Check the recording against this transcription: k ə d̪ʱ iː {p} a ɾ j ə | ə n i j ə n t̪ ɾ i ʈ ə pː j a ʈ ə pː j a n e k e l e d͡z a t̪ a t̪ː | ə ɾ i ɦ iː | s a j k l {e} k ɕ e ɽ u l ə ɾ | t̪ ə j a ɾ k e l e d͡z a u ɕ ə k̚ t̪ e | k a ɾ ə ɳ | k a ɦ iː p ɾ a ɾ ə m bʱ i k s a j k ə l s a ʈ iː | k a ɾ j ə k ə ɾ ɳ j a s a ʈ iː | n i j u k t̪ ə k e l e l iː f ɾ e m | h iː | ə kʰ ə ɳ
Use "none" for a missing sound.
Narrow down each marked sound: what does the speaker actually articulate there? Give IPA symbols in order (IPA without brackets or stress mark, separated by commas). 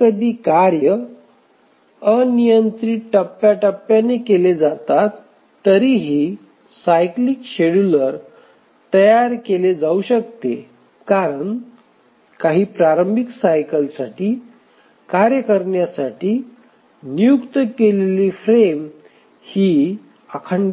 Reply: k, i